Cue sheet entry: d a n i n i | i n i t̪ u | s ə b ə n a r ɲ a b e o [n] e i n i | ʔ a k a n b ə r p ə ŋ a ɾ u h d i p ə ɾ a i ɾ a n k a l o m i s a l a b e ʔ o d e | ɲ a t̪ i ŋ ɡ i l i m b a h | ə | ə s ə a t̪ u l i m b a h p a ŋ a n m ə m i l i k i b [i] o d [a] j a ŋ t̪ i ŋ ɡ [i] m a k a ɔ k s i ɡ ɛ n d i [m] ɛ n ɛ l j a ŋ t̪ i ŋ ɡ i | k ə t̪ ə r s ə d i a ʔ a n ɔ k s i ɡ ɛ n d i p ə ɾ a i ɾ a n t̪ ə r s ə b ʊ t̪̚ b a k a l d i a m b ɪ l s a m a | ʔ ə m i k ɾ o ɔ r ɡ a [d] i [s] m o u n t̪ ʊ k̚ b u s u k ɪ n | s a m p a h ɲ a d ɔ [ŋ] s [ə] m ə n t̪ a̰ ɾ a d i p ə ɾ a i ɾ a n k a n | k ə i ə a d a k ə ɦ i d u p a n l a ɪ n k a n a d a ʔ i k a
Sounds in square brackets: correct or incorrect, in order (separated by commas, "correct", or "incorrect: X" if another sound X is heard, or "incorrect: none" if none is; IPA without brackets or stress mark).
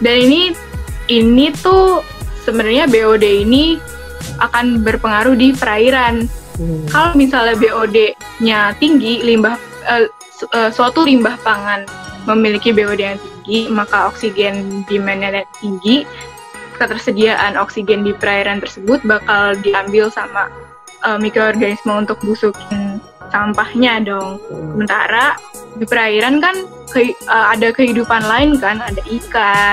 incorrect: d, incorrect: e, incorrect: e, correct, correct, incorrect: n, correct, correct, correct